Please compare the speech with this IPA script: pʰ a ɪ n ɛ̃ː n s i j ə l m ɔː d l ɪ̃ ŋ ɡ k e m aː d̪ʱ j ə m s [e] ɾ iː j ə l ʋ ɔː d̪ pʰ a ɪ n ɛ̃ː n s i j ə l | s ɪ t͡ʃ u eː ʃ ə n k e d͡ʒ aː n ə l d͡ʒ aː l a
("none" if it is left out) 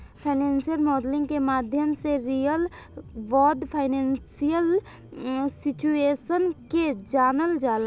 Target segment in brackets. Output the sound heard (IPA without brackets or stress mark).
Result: e